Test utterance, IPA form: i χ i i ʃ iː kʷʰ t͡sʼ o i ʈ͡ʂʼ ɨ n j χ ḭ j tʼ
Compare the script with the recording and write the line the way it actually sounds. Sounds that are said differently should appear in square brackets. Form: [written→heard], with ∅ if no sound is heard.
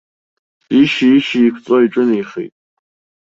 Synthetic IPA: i [χ→ʃ] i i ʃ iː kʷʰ t͡sʼ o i ʈ͡ʂʼ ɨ n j χ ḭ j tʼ